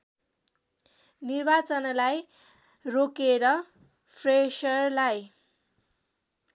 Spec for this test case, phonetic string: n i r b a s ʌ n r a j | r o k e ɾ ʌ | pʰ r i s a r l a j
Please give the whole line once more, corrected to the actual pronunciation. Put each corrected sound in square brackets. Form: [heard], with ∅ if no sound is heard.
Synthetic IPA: n i r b a [t͡s] ʌ n [l] a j | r o k e ɾ ʌ | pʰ r [e] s [ʌ] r l a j